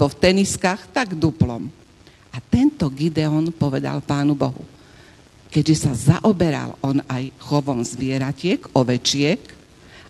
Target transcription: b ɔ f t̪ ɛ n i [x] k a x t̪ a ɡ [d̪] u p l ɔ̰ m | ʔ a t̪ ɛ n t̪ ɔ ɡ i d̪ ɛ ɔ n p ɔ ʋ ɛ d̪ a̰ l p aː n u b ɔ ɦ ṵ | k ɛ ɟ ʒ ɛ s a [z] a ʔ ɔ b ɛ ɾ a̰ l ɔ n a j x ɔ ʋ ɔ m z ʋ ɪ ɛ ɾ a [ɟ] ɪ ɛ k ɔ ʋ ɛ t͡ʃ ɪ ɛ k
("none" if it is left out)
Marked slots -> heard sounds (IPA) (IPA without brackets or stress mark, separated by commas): s, d̪, z, c